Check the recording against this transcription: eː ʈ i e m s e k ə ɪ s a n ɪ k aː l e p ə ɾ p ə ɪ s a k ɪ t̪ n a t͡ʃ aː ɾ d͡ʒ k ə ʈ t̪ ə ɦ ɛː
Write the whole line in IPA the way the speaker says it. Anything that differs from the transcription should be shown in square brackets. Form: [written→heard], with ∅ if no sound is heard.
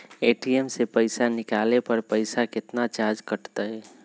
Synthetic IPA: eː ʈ i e m s e [k→p] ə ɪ s a n ɪ k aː l e p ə ɾ p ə ɪ s a k ɪ t̪ n a t͡ʃ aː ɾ d͡ʒ k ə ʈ t̪ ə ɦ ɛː